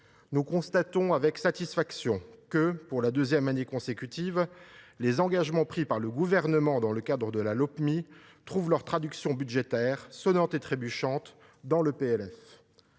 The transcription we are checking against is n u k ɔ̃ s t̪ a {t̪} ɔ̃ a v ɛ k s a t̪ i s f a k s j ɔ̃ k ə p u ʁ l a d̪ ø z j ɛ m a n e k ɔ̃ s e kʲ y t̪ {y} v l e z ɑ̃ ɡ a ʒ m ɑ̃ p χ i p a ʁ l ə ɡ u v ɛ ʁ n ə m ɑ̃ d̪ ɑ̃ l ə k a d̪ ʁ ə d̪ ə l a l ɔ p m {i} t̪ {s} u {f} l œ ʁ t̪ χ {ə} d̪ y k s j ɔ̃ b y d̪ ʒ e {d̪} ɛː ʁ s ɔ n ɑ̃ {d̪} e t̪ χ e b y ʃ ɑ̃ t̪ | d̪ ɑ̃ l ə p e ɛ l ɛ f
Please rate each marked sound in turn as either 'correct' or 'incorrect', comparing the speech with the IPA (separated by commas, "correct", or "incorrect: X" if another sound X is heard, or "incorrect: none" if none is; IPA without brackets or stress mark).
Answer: correct, incorrect: i, correct, incorrect: χ, incorrect: v, incorrect: a, incorrect: t̪, incorrect: t̪